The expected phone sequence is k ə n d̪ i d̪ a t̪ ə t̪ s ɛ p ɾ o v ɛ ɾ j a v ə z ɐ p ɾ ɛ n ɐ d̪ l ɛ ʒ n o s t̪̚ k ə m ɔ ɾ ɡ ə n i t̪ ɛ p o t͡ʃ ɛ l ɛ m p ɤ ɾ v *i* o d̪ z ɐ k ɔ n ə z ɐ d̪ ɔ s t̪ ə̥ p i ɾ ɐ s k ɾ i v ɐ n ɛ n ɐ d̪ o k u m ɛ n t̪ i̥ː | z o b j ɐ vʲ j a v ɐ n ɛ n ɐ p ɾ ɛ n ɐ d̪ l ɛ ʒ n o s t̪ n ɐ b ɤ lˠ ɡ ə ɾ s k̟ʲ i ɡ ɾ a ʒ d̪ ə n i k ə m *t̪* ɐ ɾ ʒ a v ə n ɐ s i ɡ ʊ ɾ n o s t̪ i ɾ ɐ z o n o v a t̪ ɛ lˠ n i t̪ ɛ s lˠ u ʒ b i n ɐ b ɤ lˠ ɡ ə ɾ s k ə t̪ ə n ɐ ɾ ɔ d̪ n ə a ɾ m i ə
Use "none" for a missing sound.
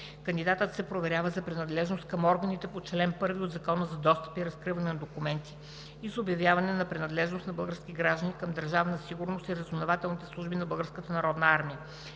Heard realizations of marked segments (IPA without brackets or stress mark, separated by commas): i, d̪